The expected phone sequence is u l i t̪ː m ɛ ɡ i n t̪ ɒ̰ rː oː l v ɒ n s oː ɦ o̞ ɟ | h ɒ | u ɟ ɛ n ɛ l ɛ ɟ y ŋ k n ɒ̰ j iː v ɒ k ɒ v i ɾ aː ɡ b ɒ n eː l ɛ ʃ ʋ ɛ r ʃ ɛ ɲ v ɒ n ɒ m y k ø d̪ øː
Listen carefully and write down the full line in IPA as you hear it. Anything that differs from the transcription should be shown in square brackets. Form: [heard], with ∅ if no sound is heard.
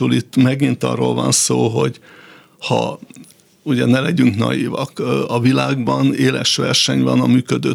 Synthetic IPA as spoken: u l i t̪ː m ɛ ɡ i n t̪ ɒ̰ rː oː l v ɒ n s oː ɦ o̞ ɟ | h ɒ | u ɟ ɛ n ɛ l ɛ ɟ y ŋ k n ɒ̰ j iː v ɒ k ɒ v i [l] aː ɡ b ɒ n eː l ɛ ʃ ʋ ɛ r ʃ ɛ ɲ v ɒ n ɒ m [yː] k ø d̪ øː